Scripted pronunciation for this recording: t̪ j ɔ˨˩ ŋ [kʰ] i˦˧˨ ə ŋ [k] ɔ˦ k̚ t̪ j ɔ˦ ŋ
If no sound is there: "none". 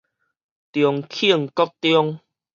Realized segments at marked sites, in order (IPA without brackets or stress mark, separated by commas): kʰ, k